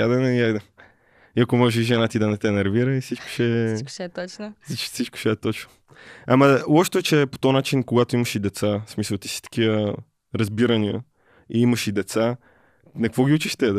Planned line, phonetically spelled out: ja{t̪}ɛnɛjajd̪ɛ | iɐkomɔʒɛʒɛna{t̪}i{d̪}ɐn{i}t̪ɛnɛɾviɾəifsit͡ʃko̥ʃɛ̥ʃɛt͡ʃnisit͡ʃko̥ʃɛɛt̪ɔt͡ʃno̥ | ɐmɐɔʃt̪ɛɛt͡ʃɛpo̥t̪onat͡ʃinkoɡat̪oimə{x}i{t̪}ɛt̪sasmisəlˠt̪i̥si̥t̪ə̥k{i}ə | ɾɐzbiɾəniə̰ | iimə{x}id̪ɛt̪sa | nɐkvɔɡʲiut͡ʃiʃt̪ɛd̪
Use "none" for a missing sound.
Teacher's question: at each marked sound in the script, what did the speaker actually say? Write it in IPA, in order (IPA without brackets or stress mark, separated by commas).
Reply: d̪, t̪, d̪, ɛ, ʃ, d̪, i, ʃ